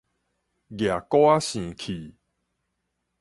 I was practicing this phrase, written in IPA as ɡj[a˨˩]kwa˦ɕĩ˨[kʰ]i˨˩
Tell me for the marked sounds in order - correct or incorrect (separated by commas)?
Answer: correct, correct